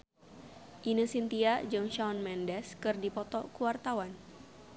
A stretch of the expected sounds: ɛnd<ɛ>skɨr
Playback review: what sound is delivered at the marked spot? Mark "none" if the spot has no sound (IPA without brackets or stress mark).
ɛ